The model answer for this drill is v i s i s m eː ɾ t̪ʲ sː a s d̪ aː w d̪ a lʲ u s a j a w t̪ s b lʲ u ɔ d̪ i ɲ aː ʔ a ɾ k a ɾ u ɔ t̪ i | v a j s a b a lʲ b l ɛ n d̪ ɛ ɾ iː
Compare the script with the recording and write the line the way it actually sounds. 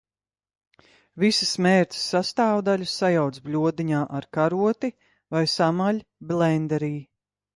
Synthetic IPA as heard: v i s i s m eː ɾ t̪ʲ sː a s t̪ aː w d̪ a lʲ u s a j a w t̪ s b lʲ u ɔ d̪ i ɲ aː ʔ a ɾ k a ɾ u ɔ t̪ i | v a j s a m a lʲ b l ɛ n d̪ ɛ ɾ iː